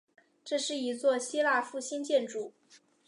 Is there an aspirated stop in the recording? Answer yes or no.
no